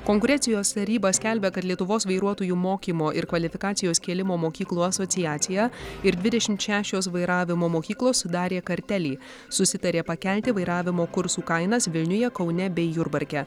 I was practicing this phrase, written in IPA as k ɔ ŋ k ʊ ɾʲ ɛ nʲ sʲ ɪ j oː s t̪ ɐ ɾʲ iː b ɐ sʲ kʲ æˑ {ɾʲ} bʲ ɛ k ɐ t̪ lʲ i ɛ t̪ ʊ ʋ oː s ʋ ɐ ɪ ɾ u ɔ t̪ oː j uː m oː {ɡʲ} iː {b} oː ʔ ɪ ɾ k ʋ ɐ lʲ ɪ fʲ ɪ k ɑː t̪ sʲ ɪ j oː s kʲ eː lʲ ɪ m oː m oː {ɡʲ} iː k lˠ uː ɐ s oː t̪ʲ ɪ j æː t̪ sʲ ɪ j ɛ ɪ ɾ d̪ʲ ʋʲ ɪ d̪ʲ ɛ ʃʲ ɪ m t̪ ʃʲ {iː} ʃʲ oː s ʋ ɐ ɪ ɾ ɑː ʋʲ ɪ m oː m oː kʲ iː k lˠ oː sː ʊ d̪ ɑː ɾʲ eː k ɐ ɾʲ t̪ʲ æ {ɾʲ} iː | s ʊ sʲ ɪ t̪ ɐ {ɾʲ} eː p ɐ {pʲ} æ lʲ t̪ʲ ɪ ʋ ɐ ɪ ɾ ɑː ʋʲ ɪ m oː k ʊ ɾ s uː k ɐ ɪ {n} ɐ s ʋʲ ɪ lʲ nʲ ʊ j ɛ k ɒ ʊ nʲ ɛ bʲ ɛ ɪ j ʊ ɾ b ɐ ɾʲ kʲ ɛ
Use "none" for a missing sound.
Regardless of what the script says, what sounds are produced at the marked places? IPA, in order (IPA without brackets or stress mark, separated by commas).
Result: lʲ, kʲ, m, kʲ, æː, lʲ, ɾʲ, kʲ, n